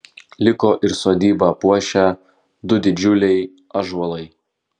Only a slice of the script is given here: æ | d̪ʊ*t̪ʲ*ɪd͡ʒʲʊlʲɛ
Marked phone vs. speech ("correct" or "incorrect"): incorrect